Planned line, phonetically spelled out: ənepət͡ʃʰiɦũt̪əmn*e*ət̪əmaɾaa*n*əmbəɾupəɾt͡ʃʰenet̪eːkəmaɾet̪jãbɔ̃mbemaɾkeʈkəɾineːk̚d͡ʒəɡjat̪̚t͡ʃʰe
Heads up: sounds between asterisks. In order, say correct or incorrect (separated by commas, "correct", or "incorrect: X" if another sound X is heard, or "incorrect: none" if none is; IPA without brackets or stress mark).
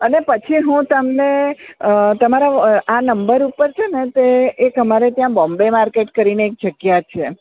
correct, correct